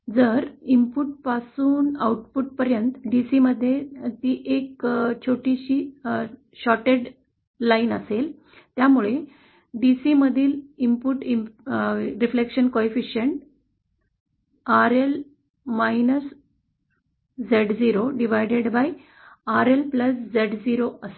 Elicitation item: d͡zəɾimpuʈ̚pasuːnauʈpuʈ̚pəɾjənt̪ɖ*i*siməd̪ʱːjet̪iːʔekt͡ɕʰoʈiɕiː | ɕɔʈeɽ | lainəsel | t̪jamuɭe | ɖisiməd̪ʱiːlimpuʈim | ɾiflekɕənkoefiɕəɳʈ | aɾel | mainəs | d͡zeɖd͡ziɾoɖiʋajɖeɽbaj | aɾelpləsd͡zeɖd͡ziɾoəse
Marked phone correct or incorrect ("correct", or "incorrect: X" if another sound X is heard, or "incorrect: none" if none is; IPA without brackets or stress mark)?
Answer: correct